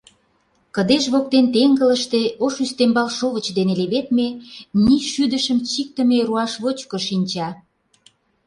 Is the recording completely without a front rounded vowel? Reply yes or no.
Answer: no